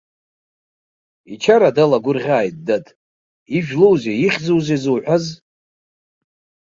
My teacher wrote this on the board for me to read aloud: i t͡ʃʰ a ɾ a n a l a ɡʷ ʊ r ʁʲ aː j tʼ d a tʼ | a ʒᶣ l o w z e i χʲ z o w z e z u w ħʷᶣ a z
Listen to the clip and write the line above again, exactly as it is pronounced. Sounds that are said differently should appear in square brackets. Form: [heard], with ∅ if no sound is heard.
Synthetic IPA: i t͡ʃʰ a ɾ a [d] a l a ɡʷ ʊ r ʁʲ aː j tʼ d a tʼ | [i] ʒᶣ l o w z e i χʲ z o w z e z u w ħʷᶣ a z